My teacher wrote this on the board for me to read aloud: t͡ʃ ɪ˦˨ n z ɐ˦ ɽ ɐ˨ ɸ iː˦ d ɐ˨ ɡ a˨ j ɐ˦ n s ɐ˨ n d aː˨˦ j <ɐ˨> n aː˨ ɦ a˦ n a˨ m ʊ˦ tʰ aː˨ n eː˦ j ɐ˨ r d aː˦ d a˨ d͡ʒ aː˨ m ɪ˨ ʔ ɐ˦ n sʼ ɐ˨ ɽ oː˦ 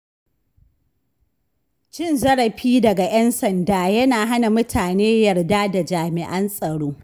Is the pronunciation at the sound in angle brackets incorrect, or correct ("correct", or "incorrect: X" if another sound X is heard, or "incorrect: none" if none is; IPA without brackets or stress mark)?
incorrect: ɐ˦